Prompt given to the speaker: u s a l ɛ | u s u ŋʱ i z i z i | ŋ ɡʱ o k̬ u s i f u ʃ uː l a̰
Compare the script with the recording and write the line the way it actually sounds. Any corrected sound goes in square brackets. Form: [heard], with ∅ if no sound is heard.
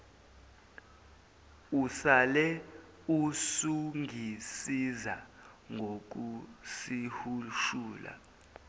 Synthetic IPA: u s a l ɛ | u s u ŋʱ i [s] i z [a] | ŋ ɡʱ o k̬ u s i [h] u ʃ uː l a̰